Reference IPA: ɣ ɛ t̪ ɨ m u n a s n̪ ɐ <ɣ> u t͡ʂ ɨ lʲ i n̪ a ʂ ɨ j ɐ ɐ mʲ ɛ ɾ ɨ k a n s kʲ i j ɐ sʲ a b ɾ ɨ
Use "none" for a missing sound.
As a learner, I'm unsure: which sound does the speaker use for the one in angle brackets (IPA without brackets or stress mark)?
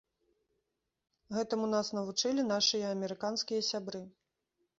v